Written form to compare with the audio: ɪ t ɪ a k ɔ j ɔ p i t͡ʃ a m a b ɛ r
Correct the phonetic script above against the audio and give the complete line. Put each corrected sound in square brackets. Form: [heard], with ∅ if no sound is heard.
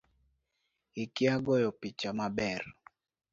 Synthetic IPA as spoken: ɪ [k] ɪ a [ɡ] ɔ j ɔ p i t͡ʃ a m a b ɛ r